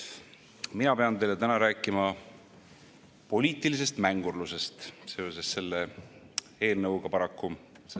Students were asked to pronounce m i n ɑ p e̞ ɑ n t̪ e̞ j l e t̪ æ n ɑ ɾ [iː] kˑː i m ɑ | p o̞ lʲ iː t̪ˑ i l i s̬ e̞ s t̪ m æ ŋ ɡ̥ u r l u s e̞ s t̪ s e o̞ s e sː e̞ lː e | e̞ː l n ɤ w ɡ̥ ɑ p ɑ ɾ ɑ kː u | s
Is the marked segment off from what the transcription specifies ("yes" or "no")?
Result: yes